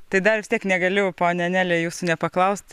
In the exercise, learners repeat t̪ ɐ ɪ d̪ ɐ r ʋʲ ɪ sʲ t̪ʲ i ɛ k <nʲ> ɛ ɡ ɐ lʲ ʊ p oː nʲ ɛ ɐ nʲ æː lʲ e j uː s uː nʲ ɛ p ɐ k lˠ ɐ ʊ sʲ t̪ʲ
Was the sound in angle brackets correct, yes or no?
yes